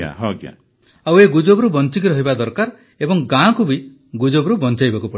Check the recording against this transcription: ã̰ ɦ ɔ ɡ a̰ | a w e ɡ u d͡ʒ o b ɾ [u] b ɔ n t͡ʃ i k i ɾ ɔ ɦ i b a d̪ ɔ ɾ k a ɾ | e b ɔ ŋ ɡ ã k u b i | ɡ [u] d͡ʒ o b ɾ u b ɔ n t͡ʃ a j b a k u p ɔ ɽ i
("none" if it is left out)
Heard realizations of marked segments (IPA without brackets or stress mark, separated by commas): u, u